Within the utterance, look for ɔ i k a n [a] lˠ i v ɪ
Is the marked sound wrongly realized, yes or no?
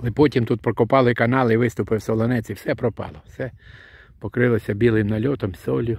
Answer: no